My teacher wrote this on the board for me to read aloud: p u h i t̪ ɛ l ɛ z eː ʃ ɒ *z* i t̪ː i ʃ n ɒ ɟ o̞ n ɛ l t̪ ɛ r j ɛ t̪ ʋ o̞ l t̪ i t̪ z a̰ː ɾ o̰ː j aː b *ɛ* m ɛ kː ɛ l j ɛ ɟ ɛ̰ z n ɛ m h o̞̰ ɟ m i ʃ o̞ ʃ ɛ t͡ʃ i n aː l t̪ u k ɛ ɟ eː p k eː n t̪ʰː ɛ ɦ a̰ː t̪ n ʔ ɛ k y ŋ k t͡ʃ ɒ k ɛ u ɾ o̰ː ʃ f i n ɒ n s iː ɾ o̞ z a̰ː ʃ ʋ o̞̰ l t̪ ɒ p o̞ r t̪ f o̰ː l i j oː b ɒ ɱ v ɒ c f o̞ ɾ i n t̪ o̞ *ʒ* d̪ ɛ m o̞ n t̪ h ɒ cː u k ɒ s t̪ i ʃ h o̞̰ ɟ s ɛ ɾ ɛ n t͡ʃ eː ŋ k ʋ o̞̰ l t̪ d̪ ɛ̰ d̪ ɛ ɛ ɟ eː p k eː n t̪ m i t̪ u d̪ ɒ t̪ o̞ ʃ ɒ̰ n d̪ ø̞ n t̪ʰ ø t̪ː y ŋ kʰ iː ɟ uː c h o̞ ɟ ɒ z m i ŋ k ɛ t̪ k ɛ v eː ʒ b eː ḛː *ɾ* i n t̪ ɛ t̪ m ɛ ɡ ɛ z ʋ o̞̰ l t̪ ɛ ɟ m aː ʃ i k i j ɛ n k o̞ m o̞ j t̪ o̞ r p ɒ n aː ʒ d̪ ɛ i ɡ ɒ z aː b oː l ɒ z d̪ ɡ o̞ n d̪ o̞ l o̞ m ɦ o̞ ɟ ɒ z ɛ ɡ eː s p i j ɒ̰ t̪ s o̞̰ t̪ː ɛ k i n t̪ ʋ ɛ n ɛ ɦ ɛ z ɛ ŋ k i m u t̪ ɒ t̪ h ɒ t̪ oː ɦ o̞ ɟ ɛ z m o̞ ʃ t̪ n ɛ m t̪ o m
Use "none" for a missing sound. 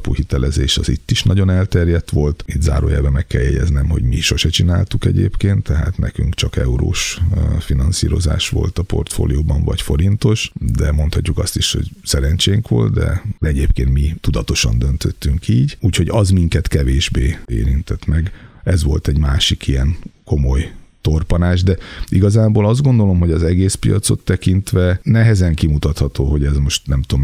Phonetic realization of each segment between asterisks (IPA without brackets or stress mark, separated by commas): z, ɛ, ʃ, ɾ